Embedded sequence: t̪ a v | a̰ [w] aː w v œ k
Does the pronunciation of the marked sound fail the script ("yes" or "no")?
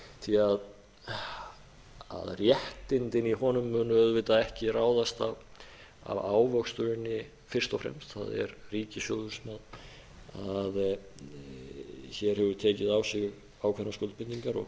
yes